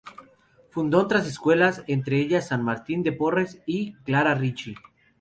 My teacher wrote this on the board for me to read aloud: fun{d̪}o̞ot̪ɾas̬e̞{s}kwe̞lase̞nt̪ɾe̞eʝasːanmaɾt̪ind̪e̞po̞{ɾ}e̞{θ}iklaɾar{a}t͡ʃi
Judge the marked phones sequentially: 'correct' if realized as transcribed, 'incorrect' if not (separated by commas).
correct, correct, incorrect, incorrect, incorrect